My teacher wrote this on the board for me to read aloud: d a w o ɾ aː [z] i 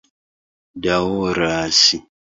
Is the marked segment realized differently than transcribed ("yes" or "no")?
yes